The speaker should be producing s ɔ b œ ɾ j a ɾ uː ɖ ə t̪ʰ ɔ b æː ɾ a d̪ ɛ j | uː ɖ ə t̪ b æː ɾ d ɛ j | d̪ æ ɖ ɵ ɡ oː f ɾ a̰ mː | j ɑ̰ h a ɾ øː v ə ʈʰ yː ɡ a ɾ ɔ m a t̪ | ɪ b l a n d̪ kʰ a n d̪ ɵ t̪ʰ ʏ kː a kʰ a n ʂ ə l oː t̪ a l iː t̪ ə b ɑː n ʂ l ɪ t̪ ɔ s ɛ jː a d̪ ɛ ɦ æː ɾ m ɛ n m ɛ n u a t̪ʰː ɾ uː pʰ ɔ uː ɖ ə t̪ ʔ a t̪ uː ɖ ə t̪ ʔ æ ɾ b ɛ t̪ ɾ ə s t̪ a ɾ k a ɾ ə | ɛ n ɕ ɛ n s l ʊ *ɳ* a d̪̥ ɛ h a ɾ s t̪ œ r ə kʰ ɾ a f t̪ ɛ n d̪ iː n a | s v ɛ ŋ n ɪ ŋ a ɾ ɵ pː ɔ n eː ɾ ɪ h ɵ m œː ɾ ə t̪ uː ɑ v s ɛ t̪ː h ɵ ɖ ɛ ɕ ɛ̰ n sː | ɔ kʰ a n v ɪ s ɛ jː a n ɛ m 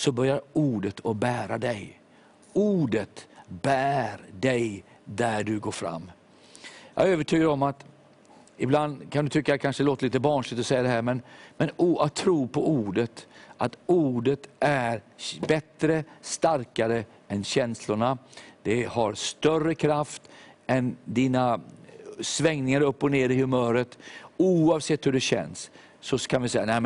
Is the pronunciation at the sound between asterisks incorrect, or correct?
correct